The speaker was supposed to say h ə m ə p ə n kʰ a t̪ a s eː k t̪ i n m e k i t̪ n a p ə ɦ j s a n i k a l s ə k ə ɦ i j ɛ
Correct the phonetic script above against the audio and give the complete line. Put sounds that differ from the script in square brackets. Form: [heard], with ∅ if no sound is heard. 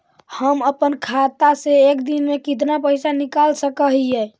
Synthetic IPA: h ə m ə p ə n kʰ a t̪ a s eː k [d̪] i n m e k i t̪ n a p ə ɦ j s a n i k a l s ə k ə ɦ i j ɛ